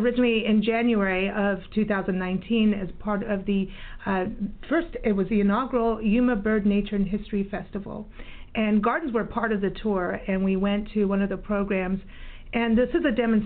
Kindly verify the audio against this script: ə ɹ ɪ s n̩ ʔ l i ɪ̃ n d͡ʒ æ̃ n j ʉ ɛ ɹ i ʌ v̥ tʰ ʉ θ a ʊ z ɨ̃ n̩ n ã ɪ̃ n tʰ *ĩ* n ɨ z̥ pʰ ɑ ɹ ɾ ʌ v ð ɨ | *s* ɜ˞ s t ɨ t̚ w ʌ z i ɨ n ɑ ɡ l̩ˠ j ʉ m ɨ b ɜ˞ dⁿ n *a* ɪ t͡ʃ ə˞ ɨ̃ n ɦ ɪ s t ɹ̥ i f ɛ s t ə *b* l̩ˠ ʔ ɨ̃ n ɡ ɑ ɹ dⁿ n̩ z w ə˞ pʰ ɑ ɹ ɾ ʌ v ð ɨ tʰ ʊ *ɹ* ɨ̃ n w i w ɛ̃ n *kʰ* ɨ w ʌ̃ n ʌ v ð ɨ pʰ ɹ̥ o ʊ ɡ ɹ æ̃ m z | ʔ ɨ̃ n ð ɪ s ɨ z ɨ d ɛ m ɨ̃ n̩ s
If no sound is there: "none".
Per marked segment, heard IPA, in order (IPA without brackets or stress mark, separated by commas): ĩ, f, e, v, ɹ, tʰ